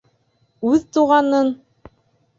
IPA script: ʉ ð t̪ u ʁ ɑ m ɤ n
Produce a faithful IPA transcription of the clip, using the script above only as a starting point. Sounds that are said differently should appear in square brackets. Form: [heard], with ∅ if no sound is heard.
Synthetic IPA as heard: ʉ ð t̪ u ʁ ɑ [n] ɤ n